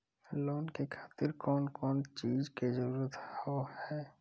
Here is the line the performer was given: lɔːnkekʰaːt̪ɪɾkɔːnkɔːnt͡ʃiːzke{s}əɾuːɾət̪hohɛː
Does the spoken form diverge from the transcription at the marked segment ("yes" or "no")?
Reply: yes